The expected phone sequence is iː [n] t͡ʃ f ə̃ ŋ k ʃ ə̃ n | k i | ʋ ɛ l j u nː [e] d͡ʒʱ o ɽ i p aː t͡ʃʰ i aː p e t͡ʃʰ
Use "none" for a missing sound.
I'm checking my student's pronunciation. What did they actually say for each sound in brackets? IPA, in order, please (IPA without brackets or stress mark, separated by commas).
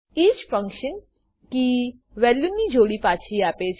none, i